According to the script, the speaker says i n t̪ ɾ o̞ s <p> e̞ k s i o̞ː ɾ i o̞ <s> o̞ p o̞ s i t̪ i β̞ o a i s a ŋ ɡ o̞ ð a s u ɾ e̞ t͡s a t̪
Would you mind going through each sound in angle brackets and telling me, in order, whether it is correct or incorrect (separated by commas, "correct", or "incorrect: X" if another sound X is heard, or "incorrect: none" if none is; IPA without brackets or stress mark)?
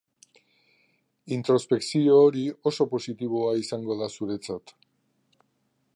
correct, correct